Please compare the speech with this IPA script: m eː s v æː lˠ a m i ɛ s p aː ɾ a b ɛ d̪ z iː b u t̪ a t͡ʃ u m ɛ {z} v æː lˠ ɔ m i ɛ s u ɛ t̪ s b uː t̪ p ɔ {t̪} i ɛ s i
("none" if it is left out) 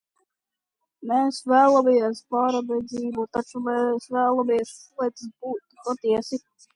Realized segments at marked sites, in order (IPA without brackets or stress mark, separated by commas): s, t̪